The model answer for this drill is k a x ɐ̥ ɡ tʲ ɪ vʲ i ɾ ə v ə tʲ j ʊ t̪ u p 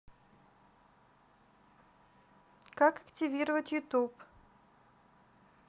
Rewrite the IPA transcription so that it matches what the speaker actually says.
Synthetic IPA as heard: k a k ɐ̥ k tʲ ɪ vʲ i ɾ ə v ə tʲ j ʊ t̪ u p